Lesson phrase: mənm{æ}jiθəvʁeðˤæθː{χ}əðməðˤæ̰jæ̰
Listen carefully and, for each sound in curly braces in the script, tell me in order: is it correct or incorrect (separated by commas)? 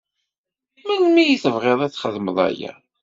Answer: incorrect, correct